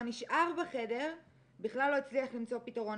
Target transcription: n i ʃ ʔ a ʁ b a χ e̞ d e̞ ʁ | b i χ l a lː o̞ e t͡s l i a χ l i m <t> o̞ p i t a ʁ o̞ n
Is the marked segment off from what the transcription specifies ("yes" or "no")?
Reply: yes